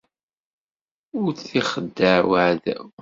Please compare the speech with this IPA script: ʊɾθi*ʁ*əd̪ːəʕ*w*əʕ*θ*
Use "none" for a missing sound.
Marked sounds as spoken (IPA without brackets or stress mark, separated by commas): χ, w, ð